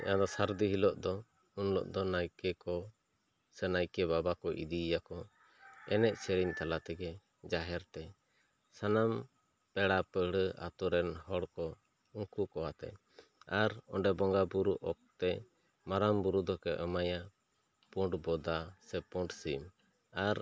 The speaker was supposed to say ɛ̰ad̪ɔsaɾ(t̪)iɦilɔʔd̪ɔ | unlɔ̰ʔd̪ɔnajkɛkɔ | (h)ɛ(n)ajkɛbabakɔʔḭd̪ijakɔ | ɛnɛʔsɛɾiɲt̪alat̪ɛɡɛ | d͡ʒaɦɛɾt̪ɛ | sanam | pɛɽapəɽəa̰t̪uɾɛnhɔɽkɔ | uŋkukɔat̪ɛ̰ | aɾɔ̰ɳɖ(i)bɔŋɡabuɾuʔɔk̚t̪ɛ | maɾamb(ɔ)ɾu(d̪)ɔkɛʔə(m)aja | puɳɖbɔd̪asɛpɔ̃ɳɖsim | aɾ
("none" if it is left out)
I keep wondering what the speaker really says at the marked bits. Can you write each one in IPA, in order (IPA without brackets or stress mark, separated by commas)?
d̪, s, n, ɛ, u, d̪, m